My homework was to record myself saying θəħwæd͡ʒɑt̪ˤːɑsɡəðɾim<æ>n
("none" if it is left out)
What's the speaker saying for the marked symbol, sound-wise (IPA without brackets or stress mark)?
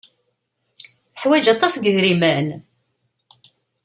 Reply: æ